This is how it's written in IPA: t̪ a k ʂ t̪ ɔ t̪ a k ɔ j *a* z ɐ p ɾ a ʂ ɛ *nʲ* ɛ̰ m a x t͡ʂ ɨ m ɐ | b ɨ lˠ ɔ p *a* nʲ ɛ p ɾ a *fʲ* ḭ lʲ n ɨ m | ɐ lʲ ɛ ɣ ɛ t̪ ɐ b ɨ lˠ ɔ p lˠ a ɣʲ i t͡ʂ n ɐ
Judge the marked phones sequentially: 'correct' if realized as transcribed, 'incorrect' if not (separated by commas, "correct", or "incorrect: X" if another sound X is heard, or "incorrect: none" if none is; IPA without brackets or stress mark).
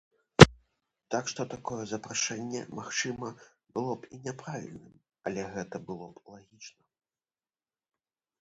incorrect: ɛ, incorrect: nʲː, incorrect: i, incorrect: vʲ